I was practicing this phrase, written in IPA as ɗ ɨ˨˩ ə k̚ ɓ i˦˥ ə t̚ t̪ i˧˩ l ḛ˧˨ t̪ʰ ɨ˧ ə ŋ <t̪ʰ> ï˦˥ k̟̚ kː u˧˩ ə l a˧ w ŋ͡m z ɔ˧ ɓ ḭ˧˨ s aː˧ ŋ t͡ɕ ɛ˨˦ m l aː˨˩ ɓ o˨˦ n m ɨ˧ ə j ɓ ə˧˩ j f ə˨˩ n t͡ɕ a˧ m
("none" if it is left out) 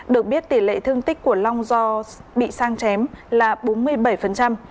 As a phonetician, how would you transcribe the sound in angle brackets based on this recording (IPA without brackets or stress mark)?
t̪